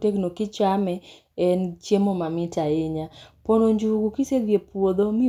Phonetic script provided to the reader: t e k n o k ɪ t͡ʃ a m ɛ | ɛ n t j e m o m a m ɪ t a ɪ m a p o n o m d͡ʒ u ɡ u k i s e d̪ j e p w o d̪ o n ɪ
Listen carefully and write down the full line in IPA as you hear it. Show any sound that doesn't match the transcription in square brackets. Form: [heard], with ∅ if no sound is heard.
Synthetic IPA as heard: t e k n o k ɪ t͡ʃ a m ɛ | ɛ n [t͡ʃ] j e m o m a m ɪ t a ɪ [ɲ] a p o n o [ɲ] d͡ʒ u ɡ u k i s e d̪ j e p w o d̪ o [m] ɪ